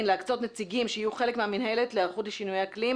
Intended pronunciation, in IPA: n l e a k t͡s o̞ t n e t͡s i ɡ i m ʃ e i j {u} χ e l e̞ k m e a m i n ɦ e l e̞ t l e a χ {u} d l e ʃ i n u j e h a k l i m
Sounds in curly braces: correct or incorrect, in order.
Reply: correct, correct

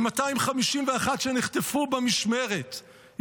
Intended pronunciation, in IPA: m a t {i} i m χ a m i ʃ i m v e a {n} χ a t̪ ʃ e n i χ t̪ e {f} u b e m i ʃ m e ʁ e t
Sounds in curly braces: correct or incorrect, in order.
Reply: incorrect: a, incorrect: none, correct

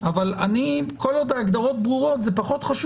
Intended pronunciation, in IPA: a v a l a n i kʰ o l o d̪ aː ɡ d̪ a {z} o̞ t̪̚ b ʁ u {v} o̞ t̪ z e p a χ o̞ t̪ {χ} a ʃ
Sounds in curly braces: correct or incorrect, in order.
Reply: incorrect: ʁ, incorrect: ʁ, correct

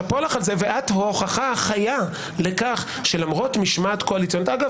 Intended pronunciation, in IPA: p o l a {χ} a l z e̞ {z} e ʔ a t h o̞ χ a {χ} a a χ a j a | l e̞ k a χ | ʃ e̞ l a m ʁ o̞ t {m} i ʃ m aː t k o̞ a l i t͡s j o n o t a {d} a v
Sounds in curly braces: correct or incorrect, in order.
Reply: correct, incorrect: v, correct, correct, incorrect: ɡ

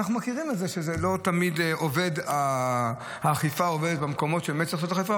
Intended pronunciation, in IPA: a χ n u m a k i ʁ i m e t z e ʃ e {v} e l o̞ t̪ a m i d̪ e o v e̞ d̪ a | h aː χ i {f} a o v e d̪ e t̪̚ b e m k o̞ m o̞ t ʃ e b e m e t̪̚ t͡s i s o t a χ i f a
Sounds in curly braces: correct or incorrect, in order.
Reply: incorrect: z, correct

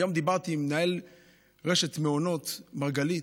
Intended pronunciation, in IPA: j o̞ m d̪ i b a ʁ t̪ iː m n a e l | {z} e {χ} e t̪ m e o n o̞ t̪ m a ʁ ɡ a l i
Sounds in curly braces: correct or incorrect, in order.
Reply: incorrect: ʁ, incorrect: ʃ

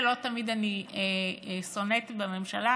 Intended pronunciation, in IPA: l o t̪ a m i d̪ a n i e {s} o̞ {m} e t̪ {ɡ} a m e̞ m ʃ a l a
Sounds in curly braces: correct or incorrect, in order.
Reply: correct, incorrect: n, incorrect: b

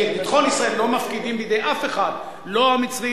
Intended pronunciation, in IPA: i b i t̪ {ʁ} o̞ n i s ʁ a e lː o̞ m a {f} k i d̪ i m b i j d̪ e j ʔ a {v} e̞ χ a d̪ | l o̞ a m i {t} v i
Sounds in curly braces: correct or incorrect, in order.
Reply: incorrect: χ, correct, incorrect: f, incorrect: t͡s

